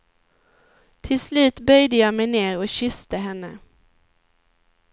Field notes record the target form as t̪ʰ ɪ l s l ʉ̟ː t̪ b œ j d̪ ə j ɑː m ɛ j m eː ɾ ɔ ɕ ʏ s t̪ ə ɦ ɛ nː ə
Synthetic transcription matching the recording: t̪ʰ ɪ l s l ʉ̟ː t̪ b œ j d̪ ə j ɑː m ɛ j n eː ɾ ɔ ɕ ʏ s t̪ ə ɦ ɛ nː ə